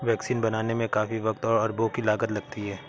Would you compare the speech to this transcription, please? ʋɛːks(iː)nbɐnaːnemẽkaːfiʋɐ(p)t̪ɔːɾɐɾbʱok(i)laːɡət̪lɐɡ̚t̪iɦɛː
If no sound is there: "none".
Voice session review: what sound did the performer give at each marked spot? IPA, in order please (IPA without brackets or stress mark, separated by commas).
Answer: iː, k, i